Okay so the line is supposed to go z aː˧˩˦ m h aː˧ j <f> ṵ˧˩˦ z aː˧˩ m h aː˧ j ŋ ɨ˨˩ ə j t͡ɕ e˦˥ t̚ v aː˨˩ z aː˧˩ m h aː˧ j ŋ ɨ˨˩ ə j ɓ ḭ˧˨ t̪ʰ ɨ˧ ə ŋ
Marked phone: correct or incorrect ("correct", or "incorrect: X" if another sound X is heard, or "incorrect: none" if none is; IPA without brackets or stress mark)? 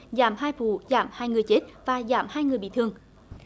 correct